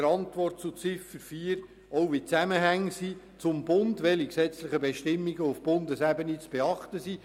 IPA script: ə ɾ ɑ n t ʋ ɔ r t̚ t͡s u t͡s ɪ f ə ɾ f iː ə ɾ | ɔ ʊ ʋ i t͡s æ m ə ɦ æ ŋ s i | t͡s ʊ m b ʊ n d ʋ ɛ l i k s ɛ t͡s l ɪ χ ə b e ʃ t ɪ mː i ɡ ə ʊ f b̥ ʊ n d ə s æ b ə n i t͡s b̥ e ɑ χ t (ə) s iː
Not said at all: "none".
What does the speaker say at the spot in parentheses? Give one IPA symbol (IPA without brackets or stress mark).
ə